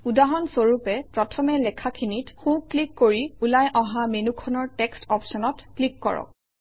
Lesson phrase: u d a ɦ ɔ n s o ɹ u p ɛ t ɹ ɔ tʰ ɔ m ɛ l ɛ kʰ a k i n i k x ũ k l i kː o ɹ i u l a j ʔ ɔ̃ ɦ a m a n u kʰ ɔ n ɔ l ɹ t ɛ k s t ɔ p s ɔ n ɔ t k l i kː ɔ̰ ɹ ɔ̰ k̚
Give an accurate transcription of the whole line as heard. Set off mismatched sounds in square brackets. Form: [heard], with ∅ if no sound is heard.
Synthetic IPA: u d a ɦ ɔ n s o ɹ u p ɛ [p] ɹ ɔ tʰ ɔ m ɛ l ɛ kʰ a [kʰ] i n i [t] x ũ k l i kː o ɹ i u l a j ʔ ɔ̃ ɦ a m [e] n u kʰ ɔ n ɔ [∅] ɹ t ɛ k s t ɔ p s ɔ n ɔ t k l i kː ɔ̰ ɹ ɔ̰ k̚

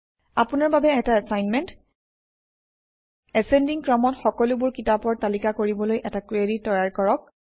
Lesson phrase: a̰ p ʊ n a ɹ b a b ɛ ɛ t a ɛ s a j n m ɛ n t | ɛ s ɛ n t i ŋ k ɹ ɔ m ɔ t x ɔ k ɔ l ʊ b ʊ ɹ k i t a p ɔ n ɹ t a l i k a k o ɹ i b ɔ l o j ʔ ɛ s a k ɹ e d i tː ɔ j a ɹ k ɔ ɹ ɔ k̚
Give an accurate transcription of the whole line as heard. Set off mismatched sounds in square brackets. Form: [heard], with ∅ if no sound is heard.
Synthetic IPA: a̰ p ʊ n a ɹ b a b ɛ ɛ t a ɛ s a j n m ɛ n t | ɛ s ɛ n [d] i ŋ k ɹ ɔ m ɔ t x ɔ k ɔ l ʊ b ʊ ɹ k i t a p ɔ [∅] ɹ t a l i k a k o ɹ i b ɔ l o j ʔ ɛ [t] a k ɹ e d i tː ɔ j a ɹ k ɔ ɹ ɔ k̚

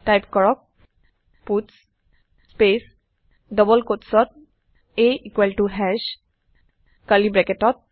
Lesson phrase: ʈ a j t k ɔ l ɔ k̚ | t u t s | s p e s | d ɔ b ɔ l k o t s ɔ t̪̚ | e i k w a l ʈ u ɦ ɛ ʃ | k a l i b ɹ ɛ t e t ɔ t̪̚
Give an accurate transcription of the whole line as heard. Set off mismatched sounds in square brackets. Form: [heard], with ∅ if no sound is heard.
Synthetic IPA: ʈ a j [p] k ɔ [ɹ] ɔ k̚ | [p] u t s | s p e s | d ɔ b ɔ l k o t s ɔ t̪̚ | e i k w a l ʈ u ɦ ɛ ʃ | k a l i b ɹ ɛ [k] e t ɔ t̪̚

